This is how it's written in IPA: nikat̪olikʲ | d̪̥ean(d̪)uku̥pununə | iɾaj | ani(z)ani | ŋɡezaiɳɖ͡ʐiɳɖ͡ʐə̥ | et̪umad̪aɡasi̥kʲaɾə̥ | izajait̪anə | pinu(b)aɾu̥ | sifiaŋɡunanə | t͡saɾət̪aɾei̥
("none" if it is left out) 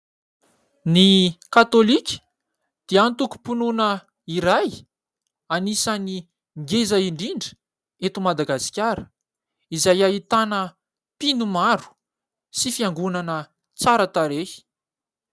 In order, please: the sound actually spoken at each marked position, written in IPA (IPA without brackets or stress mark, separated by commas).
t̪, s, m